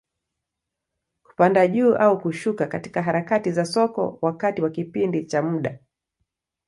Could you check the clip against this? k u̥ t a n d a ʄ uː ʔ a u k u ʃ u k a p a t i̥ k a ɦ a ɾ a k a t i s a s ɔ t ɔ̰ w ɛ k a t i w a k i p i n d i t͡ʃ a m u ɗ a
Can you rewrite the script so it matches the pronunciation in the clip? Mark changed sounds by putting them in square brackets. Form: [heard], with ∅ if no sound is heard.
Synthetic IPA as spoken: k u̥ [p] a n d a ʄ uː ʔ a u k u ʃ u k a [k] a t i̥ k a ɦ a ɾ a k a t i [z] a s ɔ [k] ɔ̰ w [a] k a t i w a k i p i n d i t͡ʃ a m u ɗ a